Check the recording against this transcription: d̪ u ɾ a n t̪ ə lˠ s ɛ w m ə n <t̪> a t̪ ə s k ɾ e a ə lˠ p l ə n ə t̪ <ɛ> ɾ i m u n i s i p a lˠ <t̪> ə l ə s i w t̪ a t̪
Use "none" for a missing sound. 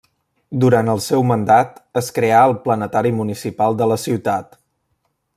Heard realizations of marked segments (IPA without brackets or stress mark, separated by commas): d̪, a, d̪